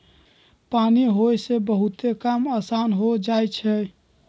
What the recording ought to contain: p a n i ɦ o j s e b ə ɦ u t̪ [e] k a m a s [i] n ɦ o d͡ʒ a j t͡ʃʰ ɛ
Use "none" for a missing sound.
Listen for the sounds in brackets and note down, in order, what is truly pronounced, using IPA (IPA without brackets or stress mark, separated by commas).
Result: e, a